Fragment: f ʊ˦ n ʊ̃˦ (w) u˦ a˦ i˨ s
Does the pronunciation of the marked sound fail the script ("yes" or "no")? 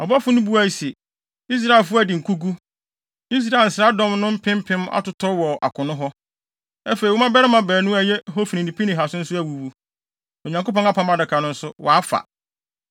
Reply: yes